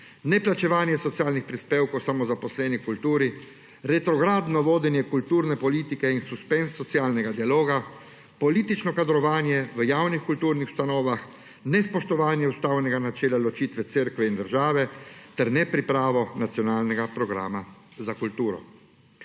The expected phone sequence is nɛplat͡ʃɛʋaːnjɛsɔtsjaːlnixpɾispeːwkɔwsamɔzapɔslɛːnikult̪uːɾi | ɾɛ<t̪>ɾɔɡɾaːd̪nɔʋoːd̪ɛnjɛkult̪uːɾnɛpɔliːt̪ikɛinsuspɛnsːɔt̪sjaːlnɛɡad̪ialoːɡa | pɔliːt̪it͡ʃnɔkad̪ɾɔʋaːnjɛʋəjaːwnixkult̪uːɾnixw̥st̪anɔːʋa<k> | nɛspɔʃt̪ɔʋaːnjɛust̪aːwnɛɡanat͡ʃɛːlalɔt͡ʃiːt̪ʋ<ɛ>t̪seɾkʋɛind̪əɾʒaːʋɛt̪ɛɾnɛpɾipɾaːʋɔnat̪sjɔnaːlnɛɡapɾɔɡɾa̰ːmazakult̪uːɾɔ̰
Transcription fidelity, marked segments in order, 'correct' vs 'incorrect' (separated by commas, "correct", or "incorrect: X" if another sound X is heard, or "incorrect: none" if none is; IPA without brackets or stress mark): correct, incorrect: x, correct